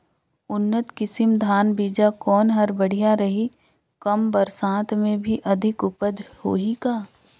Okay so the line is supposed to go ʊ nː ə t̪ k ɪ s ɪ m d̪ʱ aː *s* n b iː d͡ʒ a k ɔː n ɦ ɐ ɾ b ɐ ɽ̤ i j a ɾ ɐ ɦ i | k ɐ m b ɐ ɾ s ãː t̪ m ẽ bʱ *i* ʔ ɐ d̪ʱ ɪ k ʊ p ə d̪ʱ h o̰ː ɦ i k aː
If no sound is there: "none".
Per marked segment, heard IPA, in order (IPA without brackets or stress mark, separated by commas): none, i